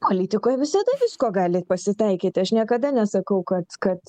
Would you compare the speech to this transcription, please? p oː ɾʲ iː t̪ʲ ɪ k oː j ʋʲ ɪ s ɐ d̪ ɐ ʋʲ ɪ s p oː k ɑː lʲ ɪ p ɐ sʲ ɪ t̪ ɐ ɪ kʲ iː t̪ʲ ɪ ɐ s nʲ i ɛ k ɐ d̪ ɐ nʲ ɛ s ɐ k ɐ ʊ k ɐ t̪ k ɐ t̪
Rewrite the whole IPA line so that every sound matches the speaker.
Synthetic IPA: p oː lʲ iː t̪ʲ ɪ k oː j ʋʲ ɪ s ɐ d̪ ɐ ʋʲ ɪ s k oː ɡ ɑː lʲ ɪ p ɐ sʲ ɪ t̪ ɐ ɪ kʲ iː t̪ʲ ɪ ɐ ʃ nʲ i ɛ k ɐ d̪ ɐ nʲ ɛ s ɐ k ɐ ʊ k ɐ t̪ k ɐ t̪